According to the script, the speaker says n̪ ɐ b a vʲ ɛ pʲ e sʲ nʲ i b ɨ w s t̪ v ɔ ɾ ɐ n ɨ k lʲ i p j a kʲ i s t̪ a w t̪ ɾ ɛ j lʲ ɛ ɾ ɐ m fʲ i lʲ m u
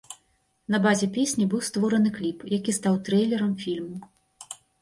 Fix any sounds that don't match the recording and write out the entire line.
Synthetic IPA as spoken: n̪ ɐ b a zʲ ɛ pʲ e sʲ nʲ i b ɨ w s t̪ v ɔ ɾ ɐ n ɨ k lʲ i p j a kʲ i s t̪ a w t̪ ɾ ɛ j lʲ ɛ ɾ ɐ m fʲ i lʲ m u